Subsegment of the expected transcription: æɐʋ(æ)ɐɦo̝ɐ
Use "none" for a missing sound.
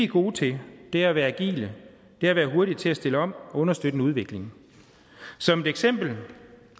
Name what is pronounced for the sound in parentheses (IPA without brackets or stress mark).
æː